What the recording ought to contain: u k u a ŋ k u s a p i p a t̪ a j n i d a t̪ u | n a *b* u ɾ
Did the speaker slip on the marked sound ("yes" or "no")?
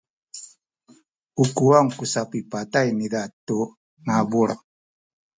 no